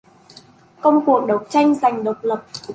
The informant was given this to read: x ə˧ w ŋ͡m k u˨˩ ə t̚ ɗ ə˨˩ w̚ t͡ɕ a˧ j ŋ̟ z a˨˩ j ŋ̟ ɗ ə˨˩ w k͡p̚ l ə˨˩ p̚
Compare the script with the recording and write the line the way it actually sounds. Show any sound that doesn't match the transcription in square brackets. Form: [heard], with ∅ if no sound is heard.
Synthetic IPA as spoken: [k] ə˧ w ŋ͡m k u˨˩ ə [k̚] ɗ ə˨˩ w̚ t͡ɕ a˧ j ŋ̟ z a˨˩ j ŋ̟ ɗ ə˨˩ w k͡p̚ l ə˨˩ p̚